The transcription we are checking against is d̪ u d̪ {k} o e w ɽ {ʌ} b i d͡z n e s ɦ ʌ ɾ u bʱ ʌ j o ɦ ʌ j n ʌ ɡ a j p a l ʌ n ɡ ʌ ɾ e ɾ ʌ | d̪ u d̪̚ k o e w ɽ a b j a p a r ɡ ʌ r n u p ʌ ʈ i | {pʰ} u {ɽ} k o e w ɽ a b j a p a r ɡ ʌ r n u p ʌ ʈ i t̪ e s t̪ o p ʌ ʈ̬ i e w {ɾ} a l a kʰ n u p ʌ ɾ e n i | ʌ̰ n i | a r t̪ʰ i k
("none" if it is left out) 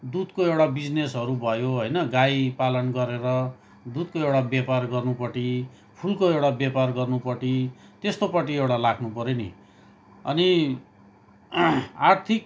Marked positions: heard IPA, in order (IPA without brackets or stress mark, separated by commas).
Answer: k, a, pʰ, l, ɽ